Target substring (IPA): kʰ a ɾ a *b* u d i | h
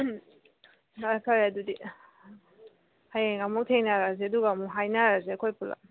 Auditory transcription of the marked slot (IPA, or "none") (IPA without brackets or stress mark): d